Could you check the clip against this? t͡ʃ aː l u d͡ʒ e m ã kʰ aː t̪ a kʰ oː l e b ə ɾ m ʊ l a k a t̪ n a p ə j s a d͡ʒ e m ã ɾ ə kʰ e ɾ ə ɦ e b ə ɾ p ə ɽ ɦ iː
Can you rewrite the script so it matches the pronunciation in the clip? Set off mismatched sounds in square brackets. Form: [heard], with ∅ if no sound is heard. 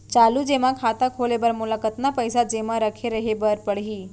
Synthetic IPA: t͡ʃ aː l u d͡ʒ e m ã kʰ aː t̪ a kʰ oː l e b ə ɾ m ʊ l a k [ə] t̪ n a p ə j s a d͡ʒ e m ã ɾ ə kʰ e ɾ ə ɦ e b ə ɾ p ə ɽ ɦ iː